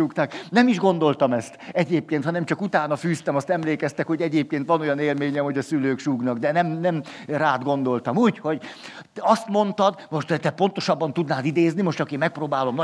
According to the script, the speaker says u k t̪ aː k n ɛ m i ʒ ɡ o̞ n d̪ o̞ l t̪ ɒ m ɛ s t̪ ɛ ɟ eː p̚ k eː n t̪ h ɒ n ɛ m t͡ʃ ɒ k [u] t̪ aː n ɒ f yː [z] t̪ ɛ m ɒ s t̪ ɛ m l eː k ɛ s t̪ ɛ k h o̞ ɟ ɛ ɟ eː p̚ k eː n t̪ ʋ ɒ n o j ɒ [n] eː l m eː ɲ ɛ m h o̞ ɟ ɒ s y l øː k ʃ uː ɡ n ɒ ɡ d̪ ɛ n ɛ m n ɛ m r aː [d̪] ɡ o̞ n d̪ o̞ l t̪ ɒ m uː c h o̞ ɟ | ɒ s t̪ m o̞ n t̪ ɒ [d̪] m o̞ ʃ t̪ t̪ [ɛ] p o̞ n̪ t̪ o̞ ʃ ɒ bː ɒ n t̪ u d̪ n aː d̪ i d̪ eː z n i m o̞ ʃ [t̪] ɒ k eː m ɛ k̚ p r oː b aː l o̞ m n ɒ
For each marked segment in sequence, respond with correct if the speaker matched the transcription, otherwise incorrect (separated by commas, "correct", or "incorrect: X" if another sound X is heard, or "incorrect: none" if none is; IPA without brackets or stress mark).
correct, incorrect: s, correct, correct, correct, correct, correct